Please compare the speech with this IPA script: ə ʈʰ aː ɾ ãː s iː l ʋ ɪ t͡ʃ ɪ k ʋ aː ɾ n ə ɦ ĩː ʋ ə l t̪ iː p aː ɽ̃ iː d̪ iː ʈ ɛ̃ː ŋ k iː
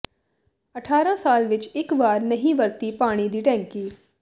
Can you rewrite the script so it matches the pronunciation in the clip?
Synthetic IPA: ə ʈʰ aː ɾ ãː s aː l ʋ ɪ t͡ʃ ɪ k ʋ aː ɾ n ə ɦ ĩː ʋ ə ɾ t̪ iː p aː ɽ̃ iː d̪ iː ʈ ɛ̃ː ŋ k iː